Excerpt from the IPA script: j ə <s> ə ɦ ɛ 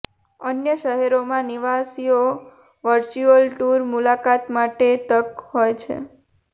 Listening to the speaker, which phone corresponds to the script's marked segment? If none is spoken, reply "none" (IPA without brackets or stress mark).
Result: ʃ